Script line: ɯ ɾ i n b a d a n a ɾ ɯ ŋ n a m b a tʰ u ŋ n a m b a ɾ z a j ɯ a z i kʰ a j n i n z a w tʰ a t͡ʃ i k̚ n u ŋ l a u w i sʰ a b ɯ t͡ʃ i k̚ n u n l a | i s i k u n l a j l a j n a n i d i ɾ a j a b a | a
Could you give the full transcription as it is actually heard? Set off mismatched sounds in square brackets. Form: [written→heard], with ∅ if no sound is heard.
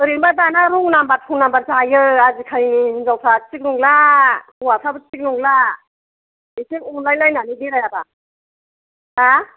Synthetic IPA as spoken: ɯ ɾ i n b a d a n a ɾ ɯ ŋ n a m b a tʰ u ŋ n a m b a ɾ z a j ɯ a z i kʰ a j n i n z a w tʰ a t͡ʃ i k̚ n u ŋ l a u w [i→a] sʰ a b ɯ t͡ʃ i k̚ n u [n→ŋ] l a | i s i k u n l a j l a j n a n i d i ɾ a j a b a | a